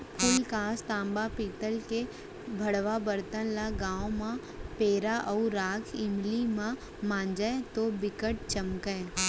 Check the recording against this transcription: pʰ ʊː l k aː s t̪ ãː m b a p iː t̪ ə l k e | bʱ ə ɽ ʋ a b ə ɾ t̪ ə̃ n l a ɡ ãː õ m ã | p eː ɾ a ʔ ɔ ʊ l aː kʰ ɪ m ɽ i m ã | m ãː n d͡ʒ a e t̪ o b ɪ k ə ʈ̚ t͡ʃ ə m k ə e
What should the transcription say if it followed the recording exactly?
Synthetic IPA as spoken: pʰ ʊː l k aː s t̪ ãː m b a p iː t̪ ə l k e | bʱ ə ɽ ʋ a b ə ɾ t̪ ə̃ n l a ɡ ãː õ m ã | p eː ɾ a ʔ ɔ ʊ ɾ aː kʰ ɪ m l i m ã | m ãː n d͡ʒ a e t̪ o b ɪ k ə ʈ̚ t͡ʃ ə m k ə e